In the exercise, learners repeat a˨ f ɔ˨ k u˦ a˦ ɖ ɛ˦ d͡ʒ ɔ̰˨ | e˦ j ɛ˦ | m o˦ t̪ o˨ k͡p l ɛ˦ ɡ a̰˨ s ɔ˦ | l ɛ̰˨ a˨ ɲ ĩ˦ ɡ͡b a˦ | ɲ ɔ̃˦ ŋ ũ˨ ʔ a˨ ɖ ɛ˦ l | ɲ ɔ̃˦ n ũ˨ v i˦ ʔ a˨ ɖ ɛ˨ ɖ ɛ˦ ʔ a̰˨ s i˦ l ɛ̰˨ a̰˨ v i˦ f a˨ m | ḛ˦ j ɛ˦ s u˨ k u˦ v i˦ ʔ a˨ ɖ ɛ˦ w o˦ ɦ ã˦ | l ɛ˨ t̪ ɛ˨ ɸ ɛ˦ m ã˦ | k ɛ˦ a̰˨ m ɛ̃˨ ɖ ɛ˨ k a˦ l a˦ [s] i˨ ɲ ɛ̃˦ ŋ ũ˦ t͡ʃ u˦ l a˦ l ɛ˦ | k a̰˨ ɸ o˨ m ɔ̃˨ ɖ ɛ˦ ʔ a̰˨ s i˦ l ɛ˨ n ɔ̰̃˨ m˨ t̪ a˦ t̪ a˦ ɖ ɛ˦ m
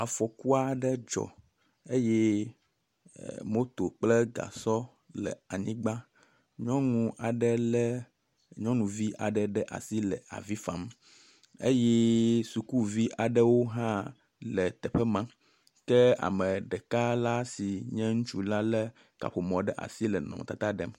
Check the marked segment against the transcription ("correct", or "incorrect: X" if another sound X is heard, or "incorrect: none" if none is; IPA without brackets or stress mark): correct